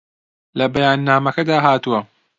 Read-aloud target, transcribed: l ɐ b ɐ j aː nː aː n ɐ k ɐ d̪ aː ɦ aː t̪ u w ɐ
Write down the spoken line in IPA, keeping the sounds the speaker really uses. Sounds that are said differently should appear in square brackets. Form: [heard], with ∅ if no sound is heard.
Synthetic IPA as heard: l ɐ b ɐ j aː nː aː [m] ɐ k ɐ d̪ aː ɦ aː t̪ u w ɐ